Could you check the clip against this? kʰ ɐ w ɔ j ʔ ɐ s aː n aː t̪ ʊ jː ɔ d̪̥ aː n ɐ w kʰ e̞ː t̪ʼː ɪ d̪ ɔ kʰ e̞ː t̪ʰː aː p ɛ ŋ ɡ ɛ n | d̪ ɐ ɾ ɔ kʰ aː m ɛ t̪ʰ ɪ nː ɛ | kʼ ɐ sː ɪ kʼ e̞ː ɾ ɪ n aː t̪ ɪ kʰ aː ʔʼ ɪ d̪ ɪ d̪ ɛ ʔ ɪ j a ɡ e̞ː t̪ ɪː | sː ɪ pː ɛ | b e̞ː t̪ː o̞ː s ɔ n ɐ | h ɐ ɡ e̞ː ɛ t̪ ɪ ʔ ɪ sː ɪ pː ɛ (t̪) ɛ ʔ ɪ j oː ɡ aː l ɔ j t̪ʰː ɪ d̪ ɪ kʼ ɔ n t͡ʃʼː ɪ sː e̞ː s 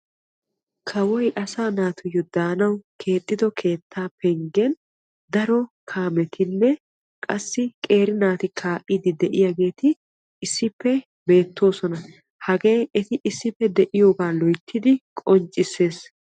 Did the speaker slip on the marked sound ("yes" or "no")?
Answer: yes